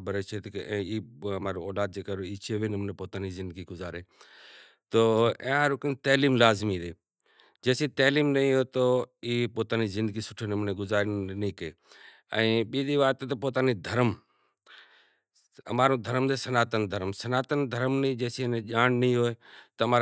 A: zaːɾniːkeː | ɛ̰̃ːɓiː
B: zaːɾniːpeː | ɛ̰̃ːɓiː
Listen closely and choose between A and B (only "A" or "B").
A